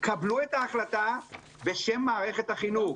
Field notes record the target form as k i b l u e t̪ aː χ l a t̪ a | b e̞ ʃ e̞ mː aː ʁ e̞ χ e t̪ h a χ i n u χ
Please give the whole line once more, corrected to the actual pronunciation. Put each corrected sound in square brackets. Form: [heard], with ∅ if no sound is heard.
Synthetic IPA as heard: k [a] b l u e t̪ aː χ l a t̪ a | b e̞ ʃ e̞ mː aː ʁ e̞ χ e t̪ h a χ i n u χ